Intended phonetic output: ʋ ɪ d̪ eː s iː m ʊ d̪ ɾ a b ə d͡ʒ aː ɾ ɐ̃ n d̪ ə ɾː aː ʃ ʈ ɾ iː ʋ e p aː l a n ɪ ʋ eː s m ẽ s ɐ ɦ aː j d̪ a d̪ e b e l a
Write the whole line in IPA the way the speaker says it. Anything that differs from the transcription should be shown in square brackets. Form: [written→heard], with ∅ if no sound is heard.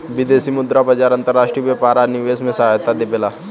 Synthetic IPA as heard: ʋ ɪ d̪ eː s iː m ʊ d̪ ɾ a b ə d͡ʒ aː ɾ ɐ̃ n [d̪→t̪] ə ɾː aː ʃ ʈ ɾ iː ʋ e p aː [l→ɾ] a n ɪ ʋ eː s m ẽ s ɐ ɦ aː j [d̪→t̪] a d̪ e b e l a